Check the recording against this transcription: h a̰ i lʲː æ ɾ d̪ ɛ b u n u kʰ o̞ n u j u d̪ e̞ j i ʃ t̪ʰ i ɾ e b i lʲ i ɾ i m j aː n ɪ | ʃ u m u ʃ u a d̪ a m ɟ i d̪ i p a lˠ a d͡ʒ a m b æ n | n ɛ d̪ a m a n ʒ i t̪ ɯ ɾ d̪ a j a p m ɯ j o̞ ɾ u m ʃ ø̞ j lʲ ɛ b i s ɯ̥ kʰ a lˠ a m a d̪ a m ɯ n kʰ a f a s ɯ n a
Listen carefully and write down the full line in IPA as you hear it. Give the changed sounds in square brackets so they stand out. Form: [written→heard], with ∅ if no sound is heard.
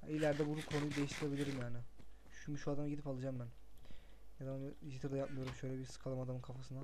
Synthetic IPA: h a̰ i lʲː æ ɾ d̪ ɛ b u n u kʰ o̞ n u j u d̪ e̞ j i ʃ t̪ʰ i ɾ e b i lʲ i ɾ i m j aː n ɪ | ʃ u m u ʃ u a d̪ a m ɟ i d̪ i p a lˠ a d͡ʒ a m b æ n | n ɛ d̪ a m a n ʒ i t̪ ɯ ɾ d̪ a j a p m ɯ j o̞ ɾ u m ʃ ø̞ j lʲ ɛ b i s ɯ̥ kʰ a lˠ a m a d̪ a m ɯ n kʰ a f a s ɯ n a

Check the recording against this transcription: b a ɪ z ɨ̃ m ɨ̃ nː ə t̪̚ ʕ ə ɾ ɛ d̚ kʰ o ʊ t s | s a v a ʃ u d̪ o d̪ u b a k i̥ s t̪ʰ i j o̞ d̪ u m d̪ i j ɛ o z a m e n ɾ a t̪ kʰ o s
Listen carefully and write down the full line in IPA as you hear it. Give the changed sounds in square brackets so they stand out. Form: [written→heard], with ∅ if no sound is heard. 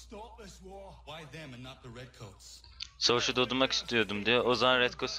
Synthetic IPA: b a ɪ [z→ð] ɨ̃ m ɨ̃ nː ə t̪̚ [ʕ→ð] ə [ɾ→ɹ] ɛ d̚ kʰ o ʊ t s | s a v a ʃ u d̪ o d̪ u [b→m] a k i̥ s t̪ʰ i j o̞ d̪ u m d̪ i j ɛ o z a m [e→a] n ɾ [a→ɛ] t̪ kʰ o s

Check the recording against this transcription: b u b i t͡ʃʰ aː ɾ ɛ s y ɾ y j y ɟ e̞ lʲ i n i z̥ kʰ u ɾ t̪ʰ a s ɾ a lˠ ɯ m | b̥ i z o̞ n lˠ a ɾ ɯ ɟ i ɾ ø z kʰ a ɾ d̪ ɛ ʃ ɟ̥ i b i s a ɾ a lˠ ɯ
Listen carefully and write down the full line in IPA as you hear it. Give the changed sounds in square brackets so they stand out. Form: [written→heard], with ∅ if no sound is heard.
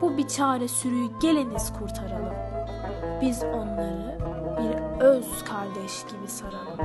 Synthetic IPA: b u b i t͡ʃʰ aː ɾ ɛ s y ɾ y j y ɟ e̞ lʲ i n i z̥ kʰ u ɾ t̪ʰ a [s→∅] ɾ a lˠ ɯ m | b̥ i z o̞ n lˠ a ɾ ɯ [ɟ→b] i ɾ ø z kʰ a ɾ d̪ ɛ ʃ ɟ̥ i b i s a ɾ a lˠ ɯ

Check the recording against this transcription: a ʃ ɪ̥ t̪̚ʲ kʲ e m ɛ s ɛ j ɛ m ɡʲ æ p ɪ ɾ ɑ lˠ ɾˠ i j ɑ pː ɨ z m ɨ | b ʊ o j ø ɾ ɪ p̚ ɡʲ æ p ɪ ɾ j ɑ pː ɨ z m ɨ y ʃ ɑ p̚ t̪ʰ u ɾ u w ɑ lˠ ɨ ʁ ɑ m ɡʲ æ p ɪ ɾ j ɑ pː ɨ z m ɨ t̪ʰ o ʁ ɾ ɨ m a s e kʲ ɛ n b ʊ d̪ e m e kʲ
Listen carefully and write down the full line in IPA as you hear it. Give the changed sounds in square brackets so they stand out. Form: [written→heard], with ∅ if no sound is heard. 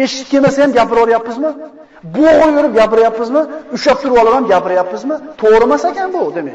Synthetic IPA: [a→e] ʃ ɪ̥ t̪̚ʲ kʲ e m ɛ s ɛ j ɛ m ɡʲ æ p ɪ ɾ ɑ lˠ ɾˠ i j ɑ pː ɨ z m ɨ | b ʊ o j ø ɾ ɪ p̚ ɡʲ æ p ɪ ɾ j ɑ pː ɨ z m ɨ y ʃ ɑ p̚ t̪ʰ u ɾ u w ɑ lˠ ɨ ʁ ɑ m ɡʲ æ p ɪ ɾ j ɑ pː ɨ z m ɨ t̪ʰ o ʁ ɾ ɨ m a s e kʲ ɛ n b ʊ d̪ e m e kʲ

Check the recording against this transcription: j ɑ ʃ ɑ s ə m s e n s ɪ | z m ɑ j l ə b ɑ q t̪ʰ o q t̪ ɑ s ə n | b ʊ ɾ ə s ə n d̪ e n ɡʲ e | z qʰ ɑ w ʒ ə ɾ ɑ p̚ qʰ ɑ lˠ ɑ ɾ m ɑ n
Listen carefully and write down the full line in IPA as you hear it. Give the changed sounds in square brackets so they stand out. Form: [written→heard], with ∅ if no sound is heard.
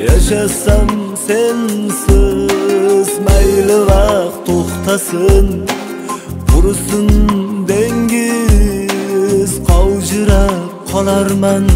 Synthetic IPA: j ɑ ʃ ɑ s [ə→ɑ] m s e n s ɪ | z m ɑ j l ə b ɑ q t̪ʰ o q t̪ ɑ s ə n | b ʊ ɾ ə s ə n d̪ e [n→ŋ] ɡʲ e | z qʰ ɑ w ʒ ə ɾ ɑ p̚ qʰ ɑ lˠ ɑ ɾ m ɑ n

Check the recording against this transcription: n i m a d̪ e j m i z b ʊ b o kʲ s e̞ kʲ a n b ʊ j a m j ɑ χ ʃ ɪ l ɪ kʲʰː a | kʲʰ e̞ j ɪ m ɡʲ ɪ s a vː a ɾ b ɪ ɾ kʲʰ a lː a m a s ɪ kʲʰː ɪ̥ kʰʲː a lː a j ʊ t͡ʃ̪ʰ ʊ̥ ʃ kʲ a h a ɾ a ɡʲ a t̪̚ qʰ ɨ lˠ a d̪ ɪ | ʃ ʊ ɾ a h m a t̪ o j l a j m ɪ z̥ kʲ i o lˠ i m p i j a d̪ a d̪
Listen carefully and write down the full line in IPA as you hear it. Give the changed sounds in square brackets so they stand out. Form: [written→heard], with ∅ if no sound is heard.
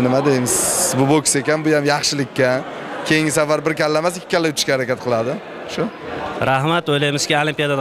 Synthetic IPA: n [i→ɪ] m a d̪ e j m [i→ɪ] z b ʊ b o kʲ s e̞ kʲ a n b ʊ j a m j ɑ χ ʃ ɪ l ɪ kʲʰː a | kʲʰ e̞ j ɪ [m→ŋ] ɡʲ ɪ s a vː a ɾ b ɪ ɾ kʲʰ a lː a m a s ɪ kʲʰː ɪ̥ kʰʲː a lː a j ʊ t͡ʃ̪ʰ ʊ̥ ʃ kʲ a h a ɾ a [ɡʲ→kʲ] a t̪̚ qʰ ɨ lˠ a d̪ ɪ | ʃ ʊ ɾ a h m a t̪ o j l a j m ɪ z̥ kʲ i o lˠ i m p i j a d̪ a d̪

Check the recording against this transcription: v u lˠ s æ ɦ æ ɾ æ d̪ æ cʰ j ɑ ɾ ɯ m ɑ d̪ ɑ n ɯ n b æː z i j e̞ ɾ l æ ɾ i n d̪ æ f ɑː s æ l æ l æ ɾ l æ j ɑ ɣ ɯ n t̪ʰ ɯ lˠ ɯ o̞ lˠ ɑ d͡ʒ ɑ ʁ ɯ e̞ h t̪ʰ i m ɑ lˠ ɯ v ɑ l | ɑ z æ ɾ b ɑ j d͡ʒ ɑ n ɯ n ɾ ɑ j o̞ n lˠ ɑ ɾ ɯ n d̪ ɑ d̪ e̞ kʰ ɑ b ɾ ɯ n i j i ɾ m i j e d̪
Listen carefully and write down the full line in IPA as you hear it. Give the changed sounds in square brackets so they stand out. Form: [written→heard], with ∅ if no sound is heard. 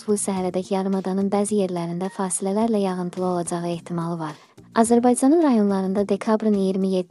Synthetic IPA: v u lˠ s æ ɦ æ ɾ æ d̪ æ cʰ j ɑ ɾ ɯ m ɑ d̪ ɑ n ɯ n b æː z i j e̞ ɾ l æ ɾ i n d̪ æ f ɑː s [æ→i] l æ l æ ɾ l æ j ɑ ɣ ɯ n t̪ʰ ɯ lˠ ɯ o̞ lˠ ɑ d͡ʒ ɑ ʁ ɯ e̞ h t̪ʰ i m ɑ lˠ ɯ v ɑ [l→ɾ] | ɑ z æ ɾ b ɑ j d͡ʒ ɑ n ɯ n ɾ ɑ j o̞ n lˠ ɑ ɾ ɯ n d̪ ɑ d̪ e̞ kʰ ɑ b ɾ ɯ n i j i ɾ m i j e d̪

